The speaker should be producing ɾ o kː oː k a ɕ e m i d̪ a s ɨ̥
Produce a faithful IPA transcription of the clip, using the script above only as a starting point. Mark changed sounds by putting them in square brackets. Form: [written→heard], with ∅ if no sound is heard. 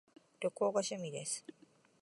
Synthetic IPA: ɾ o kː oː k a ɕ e m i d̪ [a→e] s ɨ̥

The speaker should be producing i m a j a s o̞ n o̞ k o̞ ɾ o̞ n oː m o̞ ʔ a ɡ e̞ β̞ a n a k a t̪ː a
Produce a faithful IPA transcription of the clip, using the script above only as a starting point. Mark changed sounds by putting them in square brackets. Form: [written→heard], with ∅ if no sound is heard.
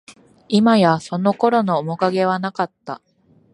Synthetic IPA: i m a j a s o̞ n o̞ k o̞ ɾ o̞ n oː m o̞ [ʔ→k] a ɡ e̞ β̞ a n a k a t̪ː a

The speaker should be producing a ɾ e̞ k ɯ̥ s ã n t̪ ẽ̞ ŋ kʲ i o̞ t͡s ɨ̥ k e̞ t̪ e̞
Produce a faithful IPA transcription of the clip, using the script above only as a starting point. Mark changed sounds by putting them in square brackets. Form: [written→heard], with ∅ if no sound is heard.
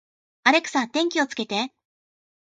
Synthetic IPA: a ɾ e̞ k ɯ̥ s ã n t̪ ẽ̞ ŋ kʲ i o̞ t͡s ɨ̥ k e̞ t̪ e̞

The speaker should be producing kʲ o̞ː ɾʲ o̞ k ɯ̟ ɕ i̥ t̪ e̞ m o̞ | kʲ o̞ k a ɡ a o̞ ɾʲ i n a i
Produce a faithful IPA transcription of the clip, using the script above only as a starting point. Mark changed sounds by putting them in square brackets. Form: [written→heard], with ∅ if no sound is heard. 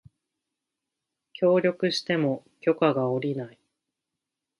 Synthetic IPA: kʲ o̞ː ɾʲ o̞ k ɯ̟ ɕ i̥ t̪ e̞ m o̞ | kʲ o̞ k a ɡ a o̞ ɾʲ i n a i

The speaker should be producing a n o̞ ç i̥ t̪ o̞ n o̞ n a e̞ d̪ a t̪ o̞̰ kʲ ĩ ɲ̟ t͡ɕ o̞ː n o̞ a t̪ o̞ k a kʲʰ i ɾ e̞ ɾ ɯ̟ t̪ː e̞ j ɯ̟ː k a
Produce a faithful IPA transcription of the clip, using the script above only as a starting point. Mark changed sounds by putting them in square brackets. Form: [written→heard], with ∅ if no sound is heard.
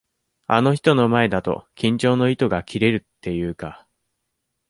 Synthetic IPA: a n o̞ ç i̥ t̪ o̞ n o̞ [n→m] a e̞ d̪ a t̪ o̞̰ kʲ ĩ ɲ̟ t͡ɕ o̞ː n o̞ [a→i] t̪ o̞ [k→ɡ] a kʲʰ i ɾ e̞ ɾ ɯ̟ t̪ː e̞ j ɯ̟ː k a

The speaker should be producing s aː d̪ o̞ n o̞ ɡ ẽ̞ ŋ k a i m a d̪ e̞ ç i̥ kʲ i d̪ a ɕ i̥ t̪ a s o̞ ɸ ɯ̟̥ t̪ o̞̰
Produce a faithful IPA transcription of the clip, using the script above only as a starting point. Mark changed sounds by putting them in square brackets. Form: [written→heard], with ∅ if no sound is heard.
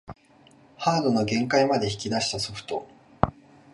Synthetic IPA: [s→h] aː d̪ o̞ n o̞ ɡ ẽ̞ ŋ k a i m a d̪ e̞ ç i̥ kʲ i d̪ a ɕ i̥ t̪ a s o̞ ɸ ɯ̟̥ t̪ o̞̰

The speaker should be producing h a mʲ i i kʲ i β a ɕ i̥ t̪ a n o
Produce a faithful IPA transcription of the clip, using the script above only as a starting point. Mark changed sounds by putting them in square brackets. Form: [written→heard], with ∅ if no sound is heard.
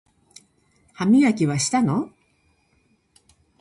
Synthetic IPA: h a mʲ i [i→a] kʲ i β a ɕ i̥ t̪ a n o

